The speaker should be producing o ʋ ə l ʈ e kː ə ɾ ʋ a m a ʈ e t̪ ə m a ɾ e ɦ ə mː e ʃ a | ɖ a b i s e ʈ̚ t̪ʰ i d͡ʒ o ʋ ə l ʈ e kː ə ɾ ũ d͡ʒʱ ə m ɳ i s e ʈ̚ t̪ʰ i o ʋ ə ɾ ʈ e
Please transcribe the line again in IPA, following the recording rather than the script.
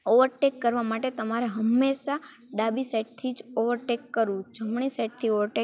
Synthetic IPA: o ʋ ə ɾ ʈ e kː ə ɾ ʋ a m a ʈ e t̪ ə m a ɾ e ɦ ə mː e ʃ a | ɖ a b i s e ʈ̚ t̪ʰ i d͡ʒ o ʋ ə ɾ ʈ e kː ə ɾ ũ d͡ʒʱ ə m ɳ i s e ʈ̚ t̪ʰ i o ʋ ə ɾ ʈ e